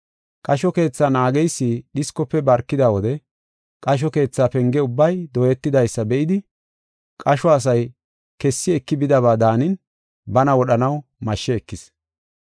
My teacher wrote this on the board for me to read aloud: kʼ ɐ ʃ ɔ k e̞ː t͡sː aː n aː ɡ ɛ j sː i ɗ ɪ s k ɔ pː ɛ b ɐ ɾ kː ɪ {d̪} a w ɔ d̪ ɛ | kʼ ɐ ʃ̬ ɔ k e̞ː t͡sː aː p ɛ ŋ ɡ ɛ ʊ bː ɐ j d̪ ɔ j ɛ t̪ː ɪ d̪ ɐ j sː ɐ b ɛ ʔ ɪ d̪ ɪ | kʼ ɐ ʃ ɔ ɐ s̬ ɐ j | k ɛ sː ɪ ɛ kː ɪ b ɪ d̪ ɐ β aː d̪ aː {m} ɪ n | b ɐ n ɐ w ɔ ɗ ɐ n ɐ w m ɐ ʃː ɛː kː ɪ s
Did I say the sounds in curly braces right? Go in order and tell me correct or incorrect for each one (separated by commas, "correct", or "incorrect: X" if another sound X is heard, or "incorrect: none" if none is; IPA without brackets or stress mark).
correct, incorrect: n